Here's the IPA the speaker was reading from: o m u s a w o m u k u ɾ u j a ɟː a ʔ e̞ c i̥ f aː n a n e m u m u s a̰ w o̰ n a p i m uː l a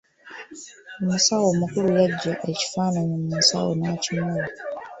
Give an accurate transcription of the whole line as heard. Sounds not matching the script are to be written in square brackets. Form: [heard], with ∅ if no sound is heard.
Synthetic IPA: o m u s a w o m u k u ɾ u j a ɟː a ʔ e̞ c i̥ f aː n a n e m u m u s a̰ w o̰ n a [c] i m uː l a